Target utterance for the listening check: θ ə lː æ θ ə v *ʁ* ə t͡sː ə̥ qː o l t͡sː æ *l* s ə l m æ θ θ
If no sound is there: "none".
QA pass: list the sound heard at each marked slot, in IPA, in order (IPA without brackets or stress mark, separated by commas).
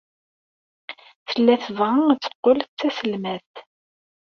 ʁ, none